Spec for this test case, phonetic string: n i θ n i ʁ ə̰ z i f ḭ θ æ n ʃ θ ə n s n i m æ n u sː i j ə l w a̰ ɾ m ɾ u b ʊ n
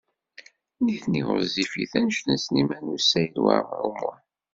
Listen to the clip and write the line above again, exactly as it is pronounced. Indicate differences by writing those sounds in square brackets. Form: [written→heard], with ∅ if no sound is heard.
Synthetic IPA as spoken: n i θ n i ʁ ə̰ z i f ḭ θ æ n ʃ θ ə n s n i m æ n u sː [i→æ] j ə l w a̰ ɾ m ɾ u [b→m] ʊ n